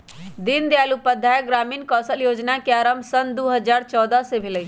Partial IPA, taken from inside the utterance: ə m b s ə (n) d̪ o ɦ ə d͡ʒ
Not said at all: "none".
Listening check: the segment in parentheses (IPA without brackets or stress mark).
n